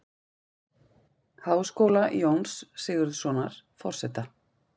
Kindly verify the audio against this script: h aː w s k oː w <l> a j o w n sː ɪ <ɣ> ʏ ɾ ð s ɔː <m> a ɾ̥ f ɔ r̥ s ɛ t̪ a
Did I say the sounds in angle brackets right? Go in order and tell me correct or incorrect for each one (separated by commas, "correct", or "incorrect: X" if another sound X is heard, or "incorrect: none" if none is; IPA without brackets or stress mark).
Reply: correct, correct, incorrect: n